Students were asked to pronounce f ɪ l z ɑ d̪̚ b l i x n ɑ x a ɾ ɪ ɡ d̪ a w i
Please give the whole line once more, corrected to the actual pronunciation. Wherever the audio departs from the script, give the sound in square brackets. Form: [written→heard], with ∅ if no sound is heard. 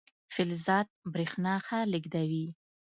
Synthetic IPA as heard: f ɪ l z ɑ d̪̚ b [l→ɾ] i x n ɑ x a [ɾ→l] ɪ ɡ d̪ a w i

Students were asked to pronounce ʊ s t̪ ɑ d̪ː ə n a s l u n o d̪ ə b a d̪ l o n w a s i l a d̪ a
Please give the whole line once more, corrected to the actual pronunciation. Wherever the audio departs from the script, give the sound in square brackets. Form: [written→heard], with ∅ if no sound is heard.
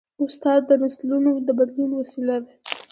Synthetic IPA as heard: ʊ s t̪ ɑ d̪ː ə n a s l u n o d̪ ə b a d̪ l [o→u] n w a s i l a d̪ a

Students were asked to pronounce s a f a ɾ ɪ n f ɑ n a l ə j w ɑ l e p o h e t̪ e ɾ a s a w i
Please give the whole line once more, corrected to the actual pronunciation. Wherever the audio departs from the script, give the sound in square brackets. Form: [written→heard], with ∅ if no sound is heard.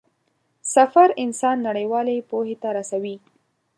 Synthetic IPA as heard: s a f a ɾ ɪ n [f→s] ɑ [n→nː] a [l→ɽ] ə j w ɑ l e p o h e t̪ [e→a] ɾ a s a w i

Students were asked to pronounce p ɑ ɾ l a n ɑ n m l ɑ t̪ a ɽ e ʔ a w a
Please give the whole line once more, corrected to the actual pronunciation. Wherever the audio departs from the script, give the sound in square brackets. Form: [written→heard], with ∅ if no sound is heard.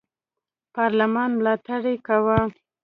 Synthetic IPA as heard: p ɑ ɾ l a [n→m] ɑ n m l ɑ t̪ a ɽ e [ʔ→k] a w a

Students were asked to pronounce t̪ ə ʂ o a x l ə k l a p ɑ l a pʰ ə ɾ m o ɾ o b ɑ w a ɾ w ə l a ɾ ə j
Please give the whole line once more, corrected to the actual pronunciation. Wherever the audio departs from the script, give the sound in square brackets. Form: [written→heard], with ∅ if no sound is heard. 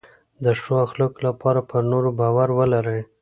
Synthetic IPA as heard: [t̪→d̪] ə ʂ o a x l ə k l a p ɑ [l→ɾ] a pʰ ə ɾ [m→n] o ɾ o b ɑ w a ɾ w ə l a ɾ ə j

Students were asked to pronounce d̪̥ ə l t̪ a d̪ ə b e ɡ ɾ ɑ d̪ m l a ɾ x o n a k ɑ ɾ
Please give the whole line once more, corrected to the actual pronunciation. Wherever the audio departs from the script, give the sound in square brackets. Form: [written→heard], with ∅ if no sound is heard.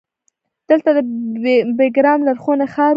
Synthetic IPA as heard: d̪̥ ə l t̪ a d̪ ə b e ɡ ɾ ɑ [d̪→∅] m l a ɾ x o n a [k→x] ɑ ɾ

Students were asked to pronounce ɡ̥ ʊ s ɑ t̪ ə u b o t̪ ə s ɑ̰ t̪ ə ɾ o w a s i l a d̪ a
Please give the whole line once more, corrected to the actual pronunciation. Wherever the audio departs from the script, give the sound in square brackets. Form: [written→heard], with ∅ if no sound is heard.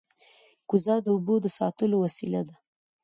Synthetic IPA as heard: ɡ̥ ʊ [s→z] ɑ [t̪→d̪] ə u b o [t̪→d̪] ə s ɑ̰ t̪ ə [ɾ→l] o w a s i l a d̪ a

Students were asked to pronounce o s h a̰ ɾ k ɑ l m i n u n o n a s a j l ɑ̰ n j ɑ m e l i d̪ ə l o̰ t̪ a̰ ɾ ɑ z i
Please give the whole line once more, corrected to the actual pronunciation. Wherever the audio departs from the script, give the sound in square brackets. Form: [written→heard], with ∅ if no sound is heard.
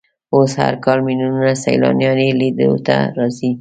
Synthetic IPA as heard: o s h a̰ ɾ k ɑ l m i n u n [o→u] n a s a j l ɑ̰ n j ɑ [m→n] e l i d̪ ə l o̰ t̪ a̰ ɾ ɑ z i

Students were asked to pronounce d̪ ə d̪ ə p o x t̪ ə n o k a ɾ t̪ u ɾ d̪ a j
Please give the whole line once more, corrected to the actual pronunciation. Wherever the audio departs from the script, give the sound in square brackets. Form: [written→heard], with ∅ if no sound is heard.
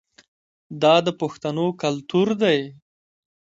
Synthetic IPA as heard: d̪ [ə→ɑ] d̪ ə p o x t̪ [ə→a] n o k a [ɾ→l] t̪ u ɾ d̪ a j

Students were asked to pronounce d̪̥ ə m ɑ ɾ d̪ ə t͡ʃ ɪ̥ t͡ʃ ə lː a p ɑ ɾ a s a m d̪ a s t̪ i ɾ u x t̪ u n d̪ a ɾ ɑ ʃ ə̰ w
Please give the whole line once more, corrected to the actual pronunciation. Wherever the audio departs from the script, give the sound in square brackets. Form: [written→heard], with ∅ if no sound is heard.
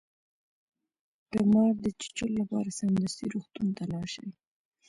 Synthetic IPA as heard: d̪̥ ə m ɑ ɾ d̪ ə t͡ʃ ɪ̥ t͡ʃ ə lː a p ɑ ɾ a s a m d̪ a s t̪ i ɾ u x t̪ u n [d̪→t̪] a [ɾ→l] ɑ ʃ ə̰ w

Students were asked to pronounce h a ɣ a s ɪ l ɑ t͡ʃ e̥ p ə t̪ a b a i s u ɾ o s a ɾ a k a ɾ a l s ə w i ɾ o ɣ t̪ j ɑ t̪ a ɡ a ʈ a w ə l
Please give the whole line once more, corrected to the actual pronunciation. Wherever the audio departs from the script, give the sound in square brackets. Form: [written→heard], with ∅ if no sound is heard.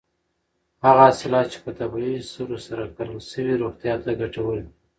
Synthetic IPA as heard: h a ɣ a s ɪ l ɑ t͡ʃ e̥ p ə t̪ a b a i s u ɾ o s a ɾ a k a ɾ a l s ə w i ɾ o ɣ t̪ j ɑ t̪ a ɡ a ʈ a w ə l

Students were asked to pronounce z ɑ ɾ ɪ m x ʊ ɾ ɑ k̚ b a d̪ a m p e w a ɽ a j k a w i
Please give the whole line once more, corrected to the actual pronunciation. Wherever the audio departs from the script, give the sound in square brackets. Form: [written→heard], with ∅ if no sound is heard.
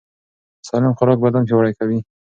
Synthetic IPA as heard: [z→s] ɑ [ɾ→l] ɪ m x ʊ ɾ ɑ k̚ b a d̪ a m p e w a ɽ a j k a w i

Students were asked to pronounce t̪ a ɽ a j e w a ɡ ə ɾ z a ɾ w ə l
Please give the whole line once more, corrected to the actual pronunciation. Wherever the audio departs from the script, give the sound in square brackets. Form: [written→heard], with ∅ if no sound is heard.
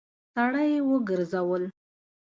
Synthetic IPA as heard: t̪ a ɽ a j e w [a→ə] ɡ ə ɾ z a [ɾ→∅] w ə l

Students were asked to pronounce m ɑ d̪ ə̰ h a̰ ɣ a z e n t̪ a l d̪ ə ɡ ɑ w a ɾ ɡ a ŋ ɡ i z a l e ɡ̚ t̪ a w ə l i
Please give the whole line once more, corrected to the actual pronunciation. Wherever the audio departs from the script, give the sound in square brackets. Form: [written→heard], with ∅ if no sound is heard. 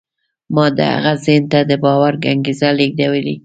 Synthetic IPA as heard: m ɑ d̪ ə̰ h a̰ ɣ a z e n t̪ a [l→∅] d̪ ə [ɡ→b] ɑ w a ɾ ɡ a ŋ ɡ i z a l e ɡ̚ [t̪→d̪] a w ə l i

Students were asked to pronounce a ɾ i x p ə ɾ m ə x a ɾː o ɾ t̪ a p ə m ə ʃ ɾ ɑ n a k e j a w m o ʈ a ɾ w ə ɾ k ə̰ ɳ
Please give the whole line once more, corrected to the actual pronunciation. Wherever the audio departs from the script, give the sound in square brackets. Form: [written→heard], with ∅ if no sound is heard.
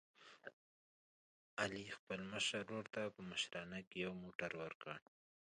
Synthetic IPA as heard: a [ɾ→l] i x p ə [ɾ→l] m ə [x→ʃ] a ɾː o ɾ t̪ a p ə m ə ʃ ɾ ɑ n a k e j a w m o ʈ a ɾ w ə ɾ k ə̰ ɳ

